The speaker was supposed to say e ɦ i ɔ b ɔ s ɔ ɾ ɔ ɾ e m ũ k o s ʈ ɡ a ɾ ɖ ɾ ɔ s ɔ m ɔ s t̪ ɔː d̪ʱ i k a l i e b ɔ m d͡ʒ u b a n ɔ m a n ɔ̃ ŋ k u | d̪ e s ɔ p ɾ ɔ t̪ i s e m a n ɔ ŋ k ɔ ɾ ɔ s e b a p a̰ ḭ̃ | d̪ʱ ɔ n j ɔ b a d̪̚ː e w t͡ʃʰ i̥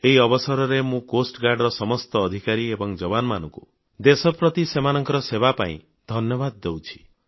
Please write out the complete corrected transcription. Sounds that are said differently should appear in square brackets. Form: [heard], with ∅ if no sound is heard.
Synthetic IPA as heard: e ɦ i ɔ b ɔ s ɔ ɾ ɔ ɾ e m ũ k o s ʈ ɡ a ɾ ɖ ɾ ɔ s ɔ m ɔ s t̪ ɔː d̪ʱ i k a [ɾ] i e b ɔ [ŋ] d͡ʒ [ɔ] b a n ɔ m a n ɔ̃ ŋ k u | d̪ e s ɔ p ɾ ɔ t̪ i s e m a n ɔ ŋ k ɔ ɾ ɔ s e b a p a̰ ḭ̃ | d̪ʱ ɔ n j ɔ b a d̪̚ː e w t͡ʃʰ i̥